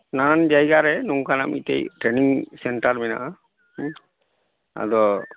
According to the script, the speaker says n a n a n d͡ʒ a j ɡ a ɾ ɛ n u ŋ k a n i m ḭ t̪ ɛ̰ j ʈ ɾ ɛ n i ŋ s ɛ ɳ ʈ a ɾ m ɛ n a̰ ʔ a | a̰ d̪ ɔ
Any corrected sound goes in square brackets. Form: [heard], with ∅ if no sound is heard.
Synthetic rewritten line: n a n a n d͡ʒ a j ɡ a ɾ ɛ n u ŋ k a n [a] m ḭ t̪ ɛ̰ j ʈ ɾ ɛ n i ŋ s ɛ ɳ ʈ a ɾ m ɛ n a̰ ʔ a | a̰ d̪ ɔ